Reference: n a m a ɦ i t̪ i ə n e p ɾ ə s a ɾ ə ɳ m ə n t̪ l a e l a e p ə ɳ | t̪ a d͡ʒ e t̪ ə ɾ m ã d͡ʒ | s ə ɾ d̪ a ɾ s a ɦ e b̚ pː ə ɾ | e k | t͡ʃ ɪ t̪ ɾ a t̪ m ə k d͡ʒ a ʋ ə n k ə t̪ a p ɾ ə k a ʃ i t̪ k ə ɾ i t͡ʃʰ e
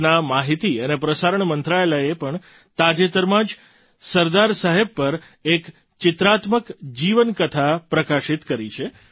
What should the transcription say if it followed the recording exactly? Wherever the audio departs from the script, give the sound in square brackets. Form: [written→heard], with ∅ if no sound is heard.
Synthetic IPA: n a m a ɦ i t̪ i ə n e p ɾ ə s a ɾ ə ɳ m ə n t̪ [l→ɾ] a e l a e p ə ɳ | t̪ a d͡ʒ e t̪ ə ɾ m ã d͡ʒ | s ə ɾ d̪ a ɾ s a ɦ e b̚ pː ə ɾ | e k | t͡ʃ ɪ t̪ ɾ a t̪ m ə k d͡ʒ [a→i] ʋ ə n k ə [t̪→t̪ʰ] a p ɾ ə k a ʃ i t̪ k ə ɾ i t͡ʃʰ e

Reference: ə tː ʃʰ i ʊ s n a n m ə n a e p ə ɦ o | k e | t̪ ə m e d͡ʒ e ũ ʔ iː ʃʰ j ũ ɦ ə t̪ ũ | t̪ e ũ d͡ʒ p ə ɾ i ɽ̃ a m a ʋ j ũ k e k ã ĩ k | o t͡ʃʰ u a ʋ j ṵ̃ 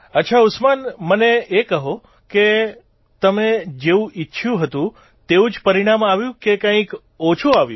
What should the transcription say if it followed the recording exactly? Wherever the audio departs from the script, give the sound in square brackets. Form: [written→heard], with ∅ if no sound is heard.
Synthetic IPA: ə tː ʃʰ [i→a] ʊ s [n→m] a n m ə n [a→e] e [p→k] ə ɦ o | k e | t̪ ə m e d͡ʒ e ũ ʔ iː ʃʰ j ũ ɦ ə t̪ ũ | t̪ e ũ d͡ʒ p ə ɾ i ɽ̃ a m a ʋ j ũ k e k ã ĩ k | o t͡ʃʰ u a ʋ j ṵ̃

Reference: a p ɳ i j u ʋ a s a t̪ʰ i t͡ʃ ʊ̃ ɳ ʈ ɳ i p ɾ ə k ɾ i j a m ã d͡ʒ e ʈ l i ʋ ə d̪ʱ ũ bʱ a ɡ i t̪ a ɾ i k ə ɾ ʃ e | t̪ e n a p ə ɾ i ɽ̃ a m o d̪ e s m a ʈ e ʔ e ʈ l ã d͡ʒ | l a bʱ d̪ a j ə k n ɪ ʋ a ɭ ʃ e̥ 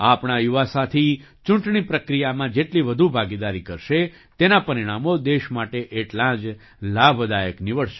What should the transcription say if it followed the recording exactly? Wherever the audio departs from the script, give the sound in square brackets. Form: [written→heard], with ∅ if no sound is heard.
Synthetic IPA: a p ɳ [i→a] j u ʋ a s a t̪ʰ i t͡ʃ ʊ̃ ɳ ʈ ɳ i p ɾ ə k ɾ i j a m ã d͡ʒ e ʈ l i ʋ ə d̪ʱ [ũ→u] bʱ a ɡ i [t̪→d̪] a ɾ i k ə ɾ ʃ e | t̪ e n a p ə ɾ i ɽ̃ a m o d̪ e [s→ʃ] m a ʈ e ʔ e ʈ l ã d͡ʒ | l a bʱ d̪ a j ə k n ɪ ʋ [a→ə] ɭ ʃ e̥

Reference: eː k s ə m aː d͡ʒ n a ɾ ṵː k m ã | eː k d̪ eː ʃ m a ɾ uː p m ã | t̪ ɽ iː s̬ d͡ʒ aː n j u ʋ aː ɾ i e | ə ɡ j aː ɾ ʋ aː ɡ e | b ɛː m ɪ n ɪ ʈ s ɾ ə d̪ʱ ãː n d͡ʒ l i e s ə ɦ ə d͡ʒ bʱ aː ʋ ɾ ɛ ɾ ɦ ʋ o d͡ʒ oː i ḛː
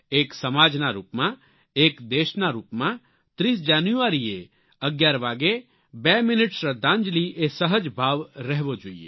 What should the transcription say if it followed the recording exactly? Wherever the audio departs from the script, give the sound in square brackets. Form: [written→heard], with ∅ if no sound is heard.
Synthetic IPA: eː k s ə m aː d͡ʒ n a ɾ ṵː [k→p] m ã | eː k d̪ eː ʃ [m→n] a ɾ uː p m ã | t̪ [ɽ→ɾ] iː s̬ d͡ʒ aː n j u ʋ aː ɾ i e | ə ɡ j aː ɾ ʋ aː ɡ e | b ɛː m ɪ n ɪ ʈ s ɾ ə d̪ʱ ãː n d͡ʒ l i e s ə ɦ ə d͡ʒ bʱ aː ʋ ɾ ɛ [ɾ→∅] ɦ ʋ o d͡ʒ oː i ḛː

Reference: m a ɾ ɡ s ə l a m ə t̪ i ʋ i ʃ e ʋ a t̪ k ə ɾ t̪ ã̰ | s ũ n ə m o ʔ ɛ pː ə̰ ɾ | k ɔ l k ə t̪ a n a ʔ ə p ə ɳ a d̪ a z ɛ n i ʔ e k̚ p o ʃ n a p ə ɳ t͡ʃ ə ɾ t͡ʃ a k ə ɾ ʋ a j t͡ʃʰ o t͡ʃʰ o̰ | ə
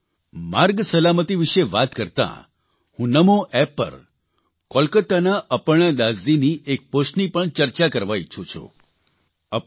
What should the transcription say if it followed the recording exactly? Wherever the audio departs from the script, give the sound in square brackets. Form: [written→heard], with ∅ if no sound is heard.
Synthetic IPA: m a ɾ ɡ s ə l a m ə t̪ i ʋ i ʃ e ʋ a t̪ k ə ɾ t̪ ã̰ | [s→h] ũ n ə m o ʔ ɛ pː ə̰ ɾ | k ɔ l k ə t̪ a n a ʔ ə p ə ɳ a d̪ a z [ɛ→i] n i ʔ e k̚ p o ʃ n [a→i] p ə ɳ t͡ʃ ə ɾ t͡ʃ a k ə ɾ ʋ a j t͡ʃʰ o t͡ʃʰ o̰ | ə

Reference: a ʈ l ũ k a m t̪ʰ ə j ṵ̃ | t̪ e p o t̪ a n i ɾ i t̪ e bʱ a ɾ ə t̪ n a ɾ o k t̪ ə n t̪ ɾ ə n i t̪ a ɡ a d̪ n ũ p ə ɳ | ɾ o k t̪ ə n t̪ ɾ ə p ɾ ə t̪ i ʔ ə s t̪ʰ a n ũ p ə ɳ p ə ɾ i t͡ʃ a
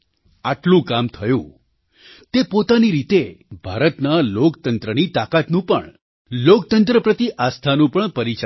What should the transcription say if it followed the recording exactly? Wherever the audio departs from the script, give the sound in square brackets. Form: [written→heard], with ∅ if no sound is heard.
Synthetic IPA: a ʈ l ũ k a m t̪ʰ ə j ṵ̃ | t̪ e p o t̪ a n i ɾ i t̪ e bʱ a ɾ ə t̪ n a [ɾ→l] o k t̪ ə n t̪ ɾ ə n i t̪ a [ɡ→k] a [d̪→t̪] n ũ p ə ɳ | [ɾ→l] o k t̪ ə n t̪ ɾ ə p ɾ ə t̪ i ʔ [ə→a] s t̪ʰ a n ũ p ə ɳ p ə ɾ i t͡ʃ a

